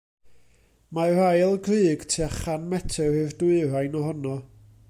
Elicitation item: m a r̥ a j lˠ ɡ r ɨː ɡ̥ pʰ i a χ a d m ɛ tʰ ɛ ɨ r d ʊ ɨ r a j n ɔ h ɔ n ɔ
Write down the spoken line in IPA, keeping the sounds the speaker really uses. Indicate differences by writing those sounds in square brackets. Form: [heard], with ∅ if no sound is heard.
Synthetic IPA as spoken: m a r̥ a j lˠ ɡ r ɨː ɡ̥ [tʰ] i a χ a [n] m ɛ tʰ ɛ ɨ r d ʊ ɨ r a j n ɔ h ɔ n ɔ